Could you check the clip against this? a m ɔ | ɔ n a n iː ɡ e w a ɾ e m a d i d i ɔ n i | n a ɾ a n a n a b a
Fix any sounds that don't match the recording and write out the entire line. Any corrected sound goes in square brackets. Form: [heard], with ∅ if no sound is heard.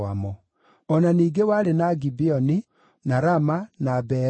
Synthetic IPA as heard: a m ɔ | ɔ n a n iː ɡ e w a ɾ e [n] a [ɡ] i [b] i ɔ n i | n a ɾ a [m] a n a b [ɛ]

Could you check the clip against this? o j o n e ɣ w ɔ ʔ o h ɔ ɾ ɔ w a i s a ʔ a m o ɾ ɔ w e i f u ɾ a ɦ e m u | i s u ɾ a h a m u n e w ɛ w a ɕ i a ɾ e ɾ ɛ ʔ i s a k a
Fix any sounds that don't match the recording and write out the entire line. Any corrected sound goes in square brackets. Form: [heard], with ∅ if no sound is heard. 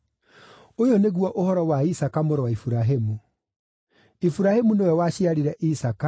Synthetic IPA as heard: o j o n e ɣ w ɔ ʔ o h ɔ ɾ ɔ w a i s a [k] a m o ɾ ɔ w [a] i f u ɾ a ɦ e m u | i [f] u ɾ a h [e] m u n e w ɛ w a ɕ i a ɾ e ɾ ɛ ʔ i s a k a

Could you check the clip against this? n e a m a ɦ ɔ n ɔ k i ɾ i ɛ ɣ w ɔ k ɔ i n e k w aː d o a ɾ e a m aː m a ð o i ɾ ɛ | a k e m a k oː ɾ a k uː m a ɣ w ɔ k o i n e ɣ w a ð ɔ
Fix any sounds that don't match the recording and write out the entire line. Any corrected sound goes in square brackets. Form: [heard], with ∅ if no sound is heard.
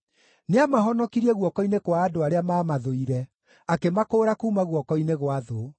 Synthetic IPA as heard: n e a m a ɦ ɔ n ɔ k i ɾ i ɛ ɣ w ɔ k ɔ i n e k w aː d o a ɾ e a m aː m a ð o i ɾ ɛ | a k e m a k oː ɾ a k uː m a ɣ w ɔ k [ɔ] i n e ɣ w a ð [o]

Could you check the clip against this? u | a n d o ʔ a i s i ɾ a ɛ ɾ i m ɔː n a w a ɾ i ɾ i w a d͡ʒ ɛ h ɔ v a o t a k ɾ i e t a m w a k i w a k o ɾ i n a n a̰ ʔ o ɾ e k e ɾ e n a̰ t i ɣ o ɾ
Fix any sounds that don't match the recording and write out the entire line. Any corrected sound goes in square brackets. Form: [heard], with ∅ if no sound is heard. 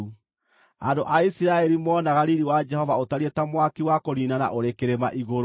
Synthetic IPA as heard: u | a n d o ʔ a i s i ɾ a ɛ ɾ i m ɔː n a [ɣ] a ɾ i ɾ i w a d͡ʒ ɛ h ɔ v a o t a [∅] ɾ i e t a m w a k i w a k o ɾ i n a n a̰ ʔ o ɾ e k e ɾ e [m] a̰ [ʔ] i ɣ o ɾ

